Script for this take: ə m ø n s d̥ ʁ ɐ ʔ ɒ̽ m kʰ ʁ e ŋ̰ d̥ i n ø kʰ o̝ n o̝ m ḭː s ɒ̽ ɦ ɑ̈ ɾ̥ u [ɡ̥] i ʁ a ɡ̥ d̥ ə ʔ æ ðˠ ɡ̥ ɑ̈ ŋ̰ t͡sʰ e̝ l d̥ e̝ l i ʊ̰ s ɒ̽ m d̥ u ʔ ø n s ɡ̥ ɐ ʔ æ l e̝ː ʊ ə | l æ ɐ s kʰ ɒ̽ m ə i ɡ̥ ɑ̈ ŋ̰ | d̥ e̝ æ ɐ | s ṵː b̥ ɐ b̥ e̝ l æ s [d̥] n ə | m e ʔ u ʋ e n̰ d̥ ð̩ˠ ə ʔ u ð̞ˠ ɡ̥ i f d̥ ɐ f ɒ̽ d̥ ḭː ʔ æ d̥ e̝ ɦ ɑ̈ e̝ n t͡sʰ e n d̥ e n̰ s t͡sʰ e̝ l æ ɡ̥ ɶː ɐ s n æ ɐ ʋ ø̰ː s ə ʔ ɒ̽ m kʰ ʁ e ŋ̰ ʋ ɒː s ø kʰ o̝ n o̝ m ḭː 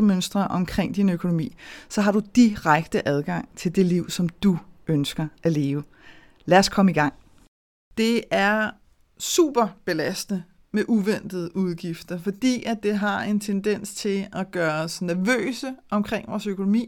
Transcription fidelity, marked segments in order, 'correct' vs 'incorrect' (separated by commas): incorrect, correct